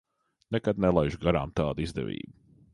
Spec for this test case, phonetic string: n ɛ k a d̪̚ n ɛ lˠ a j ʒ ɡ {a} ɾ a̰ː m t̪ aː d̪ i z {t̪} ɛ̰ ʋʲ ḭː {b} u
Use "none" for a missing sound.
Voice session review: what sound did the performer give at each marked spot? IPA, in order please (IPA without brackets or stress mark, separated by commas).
a, d̪, b